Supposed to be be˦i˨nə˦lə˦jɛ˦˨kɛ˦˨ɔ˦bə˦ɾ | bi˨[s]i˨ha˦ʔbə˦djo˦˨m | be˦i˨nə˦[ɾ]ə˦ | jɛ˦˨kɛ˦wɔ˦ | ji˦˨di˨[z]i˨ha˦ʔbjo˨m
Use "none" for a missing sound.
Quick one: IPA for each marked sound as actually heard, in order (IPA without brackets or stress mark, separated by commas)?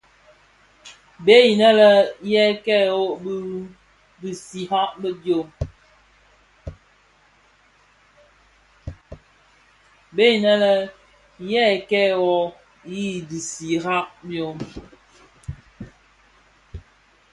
s, l, s